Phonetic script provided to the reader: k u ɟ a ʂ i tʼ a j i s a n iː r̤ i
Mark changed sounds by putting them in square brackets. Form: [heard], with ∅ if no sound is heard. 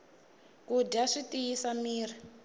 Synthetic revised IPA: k u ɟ a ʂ i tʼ [i] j i s a [m] iː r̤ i